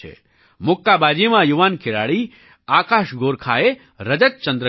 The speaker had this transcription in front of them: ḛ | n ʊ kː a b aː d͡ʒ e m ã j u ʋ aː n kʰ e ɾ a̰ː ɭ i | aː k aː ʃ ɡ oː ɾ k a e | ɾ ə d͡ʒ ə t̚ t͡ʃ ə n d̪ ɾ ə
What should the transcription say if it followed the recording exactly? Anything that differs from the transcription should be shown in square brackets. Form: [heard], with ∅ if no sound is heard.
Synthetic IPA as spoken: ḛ | [m] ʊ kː a b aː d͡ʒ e m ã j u ʋ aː n kʰ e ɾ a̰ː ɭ i | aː k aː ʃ ɡ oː ɾ [kʰ] a e | ɾ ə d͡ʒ ə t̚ t͡ʃ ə n d̪ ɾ ə